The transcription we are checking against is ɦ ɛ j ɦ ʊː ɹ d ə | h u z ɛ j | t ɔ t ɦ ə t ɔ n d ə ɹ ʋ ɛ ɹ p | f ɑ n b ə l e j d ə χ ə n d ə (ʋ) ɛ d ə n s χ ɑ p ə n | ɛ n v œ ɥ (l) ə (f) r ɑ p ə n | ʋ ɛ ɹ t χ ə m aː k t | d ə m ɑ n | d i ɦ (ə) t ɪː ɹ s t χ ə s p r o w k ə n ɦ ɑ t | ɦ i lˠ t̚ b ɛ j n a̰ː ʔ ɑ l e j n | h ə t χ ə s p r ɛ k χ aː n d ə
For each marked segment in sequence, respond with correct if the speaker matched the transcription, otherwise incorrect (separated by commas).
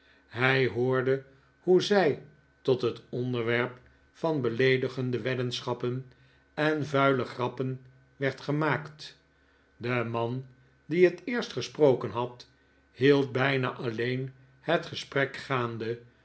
correct, correct, incorrect, correct